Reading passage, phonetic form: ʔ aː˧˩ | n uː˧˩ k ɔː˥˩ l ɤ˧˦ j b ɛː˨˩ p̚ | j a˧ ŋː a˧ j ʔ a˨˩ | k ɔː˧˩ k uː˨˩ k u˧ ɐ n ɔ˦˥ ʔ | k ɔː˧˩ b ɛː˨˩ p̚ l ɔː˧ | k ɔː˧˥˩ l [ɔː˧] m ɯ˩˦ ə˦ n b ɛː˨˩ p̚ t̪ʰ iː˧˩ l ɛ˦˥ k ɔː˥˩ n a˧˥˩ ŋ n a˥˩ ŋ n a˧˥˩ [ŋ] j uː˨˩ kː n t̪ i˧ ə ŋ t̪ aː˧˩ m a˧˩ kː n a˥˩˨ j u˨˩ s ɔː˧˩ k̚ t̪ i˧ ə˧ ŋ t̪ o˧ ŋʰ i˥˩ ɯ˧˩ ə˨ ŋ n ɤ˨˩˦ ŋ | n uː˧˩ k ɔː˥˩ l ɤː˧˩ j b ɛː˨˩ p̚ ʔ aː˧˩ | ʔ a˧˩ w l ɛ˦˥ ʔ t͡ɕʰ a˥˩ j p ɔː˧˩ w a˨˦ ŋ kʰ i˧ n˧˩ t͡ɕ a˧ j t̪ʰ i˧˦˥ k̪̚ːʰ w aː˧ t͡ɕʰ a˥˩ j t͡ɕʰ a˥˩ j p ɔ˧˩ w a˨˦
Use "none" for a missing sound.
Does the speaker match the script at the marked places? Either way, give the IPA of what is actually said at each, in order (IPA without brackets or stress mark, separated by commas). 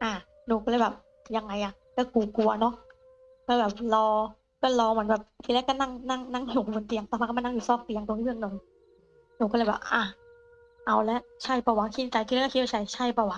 ɔː˧, ŋ